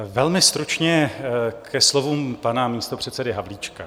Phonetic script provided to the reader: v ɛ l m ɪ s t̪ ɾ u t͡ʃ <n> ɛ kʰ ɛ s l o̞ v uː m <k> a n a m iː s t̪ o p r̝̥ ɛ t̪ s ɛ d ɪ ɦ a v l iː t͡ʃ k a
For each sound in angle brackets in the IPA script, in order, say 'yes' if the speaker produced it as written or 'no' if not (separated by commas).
no, no